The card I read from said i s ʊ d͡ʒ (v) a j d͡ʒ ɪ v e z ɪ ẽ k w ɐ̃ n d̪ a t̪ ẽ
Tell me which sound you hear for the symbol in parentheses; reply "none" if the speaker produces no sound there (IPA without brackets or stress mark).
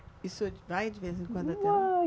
v